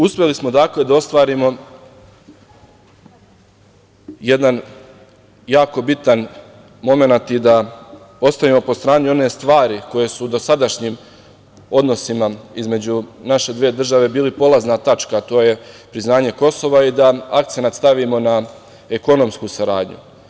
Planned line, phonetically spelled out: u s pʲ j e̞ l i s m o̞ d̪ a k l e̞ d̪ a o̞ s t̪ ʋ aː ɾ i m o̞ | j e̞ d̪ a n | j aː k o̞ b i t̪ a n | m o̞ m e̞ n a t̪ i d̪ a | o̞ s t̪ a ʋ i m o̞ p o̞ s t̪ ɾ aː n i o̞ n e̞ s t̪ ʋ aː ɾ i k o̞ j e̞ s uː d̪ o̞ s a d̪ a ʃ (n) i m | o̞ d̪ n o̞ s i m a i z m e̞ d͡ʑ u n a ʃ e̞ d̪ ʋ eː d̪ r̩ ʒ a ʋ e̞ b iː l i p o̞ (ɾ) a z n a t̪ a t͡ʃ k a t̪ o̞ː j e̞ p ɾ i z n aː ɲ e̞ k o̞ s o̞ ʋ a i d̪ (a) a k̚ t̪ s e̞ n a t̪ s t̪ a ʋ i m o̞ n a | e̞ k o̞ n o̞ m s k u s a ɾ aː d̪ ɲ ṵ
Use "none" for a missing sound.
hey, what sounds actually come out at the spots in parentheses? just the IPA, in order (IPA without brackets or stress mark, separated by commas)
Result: ɲ, l, a